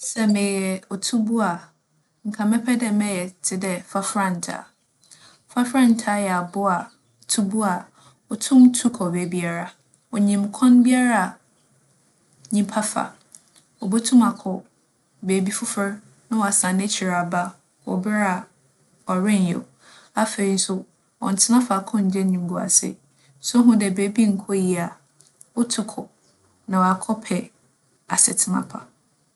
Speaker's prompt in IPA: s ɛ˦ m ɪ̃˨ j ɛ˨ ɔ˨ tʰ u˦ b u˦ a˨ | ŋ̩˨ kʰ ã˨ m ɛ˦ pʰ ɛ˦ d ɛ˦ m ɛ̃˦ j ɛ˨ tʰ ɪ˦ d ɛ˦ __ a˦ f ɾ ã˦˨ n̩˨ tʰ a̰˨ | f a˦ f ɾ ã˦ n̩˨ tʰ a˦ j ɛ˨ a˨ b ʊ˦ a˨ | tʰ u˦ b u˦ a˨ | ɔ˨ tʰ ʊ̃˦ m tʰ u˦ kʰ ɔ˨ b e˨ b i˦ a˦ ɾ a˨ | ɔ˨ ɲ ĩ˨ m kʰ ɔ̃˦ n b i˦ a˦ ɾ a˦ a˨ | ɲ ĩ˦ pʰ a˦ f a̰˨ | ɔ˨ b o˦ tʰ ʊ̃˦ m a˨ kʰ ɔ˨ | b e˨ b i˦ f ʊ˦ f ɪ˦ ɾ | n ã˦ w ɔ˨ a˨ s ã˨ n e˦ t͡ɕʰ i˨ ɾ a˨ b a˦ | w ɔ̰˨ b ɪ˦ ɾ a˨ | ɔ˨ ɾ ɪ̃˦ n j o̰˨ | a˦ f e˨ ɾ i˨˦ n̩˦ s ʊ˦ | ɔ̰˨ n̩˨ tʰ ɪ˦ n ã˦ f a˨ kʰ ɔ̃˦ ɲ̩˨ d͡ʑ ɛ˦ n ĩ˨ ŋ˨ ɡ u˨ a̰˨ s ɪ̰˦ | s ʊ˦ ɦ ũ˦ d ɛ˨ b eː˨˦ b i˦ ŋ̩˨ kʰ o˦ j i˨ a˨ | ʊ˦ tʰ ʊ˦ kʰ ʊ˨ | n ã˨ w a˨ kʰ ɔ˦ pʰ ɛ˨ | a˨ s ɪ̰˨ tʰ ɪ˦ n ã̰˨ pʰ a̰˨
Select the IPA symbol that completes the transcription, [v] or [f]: f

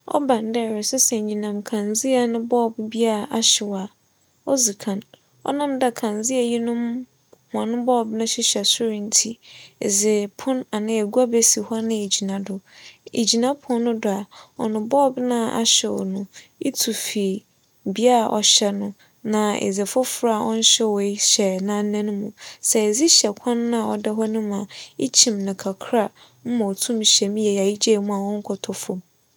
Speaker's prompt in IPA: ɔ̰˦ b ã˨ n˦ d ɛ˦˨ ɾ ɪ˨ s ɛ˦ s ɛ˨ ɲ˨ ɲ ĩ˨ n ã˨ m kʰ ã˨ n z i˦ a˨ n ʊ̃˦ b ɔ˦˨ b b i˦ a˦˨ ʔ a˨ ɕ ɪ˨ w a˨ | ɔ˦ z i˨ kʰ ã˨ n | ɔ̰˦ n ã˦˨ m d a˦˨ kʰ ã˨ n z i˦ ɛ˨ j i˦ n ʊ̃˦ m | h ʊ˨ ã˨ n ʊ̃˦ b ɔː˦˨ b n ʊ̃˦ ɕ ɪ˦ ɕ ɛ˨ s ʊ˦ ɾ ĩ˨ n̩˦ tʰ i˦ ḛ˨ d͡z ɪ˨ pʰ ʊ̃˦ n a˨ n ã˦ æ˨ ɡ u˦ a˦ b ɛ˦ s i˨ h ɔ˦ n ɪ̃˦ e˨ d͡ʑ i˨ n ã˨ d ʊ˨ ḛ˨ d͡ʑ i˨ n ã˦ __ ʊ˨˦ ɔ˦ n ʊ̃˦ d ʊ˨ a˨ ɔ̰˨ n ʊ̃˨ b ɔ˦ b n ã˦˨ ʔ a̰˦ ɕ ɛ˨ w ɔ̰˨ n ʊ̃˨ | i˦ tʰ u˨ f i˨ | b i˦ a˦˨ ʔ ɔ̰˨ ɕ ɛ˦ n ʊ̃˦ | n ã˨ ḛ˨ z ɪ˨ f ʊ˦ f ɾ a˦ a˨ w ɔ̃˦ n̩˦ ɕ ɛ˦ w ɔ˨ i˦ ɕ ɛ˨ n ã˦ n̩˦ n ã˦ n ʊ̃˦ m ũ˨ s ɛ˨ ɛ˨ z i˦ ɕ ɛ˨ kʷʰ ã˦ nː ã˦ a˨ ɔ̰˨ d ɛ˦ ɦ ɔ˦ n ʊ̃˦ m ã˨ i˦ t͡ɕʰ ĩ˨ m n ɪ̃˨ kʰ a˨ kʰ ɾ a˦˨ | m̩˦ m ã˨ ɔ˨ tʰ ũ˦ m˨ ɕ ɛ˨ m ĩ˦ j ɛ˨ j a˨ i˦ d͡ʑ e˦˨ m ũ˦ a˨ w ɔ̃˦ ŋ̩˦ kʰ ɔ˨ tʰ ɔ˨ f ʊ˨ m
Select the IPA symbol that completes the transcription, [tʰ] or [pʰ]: pʰ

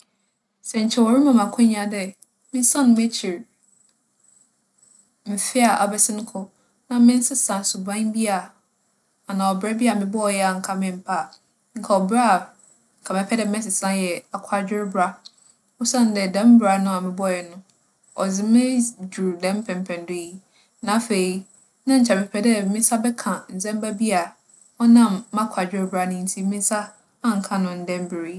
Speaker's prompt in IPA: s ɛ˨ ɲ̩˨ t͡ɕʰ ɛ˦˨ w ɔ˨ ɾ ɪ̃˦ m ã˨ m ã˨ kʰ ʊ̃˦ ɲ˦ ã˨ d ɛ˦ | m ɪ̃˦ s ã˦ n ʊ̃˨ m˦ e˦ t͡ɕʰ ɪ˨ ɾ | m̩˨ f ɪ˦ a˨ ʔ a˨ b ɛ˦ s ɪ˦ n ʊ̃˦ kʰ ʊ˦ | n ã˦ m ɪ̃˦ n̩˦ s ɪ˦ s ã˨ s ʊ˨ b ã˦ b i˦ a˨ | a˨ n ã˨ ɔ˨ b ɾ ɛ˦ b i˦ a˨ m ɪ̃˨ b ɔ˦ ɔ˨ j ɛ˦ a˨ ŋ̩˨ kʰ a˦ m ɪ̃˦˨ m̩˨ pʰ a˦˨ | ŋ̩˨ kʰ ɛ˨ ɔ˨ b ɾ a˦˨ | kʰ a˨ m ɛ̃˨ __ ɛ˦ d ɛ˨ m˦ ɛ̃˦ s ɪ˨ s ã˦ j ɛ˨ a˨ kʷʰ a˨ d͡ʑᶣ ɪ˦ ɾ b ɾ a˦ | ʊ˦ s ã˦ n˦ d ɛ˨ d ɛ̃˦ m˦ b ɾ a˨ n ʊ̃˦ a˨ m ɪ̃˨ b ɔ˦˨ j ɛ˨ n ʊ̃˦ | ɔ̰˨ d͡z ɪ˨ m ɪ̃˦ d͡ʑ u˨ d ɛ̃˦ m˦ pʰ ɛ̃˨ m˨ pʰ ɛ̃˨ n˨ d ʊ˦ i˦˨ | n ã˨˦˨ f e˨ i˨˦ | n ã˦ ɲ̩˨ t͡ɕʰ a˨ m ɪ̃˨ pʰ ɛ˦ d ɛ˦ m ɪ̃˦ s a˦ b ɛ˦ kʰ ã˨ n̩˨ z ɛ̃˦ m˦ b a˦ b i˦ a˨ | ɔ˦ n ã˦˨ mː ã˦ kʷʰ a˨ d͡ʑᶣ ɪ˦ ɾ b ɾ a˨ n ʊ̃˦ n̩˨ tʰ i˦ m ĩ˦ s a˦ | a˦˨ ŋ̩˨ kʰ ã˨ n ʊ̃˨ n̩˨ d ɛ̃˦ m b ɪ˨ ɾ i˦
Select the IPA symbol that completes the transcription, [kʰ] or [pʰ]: pʰ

